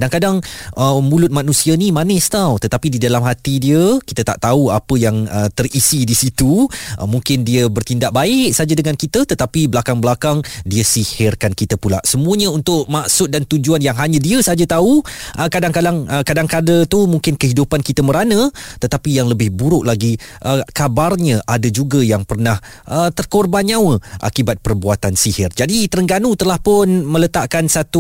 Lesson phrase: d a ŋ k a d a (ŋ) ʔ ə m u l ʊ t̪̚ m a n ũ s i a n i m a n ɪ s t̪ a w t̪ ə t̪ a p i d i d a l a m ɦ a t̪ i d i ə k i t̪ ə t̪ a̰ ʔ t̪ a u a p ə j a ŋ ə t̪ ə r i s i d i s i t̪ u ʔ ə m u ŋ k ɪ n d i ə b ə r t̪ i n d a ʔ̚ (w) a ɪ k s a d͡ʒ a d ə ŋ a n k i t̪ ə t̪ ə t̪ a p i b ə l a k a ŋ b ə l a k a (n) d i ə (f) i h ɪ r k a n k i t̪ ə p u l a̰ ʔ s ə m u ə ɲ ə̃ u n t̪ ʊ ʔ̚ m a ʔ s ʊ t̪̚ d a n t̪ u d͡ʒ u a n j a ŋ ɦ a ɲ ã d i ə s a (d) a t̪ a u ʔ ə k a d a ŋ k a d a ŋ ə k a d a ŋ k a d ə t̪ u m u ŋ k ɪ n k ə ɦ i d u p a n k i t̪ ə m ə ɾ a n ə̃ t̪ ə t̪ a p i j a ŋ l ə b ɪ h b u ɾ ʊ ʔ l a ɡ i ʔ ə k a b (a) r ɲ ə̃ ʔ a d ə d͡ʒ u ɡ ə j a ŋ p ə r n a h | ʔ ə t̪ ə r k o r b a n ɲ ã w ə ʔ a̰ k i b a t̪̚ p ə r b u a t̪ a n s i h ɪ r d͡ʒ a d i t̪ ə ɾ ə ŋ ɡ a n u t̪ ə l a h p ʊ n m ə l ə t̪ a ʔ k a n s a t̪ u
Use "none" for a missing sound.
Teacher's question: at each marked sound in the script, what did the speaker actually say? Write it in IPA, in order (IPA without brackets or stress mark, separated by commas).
ŋ, b, ŋ, s, d͡ʒ, a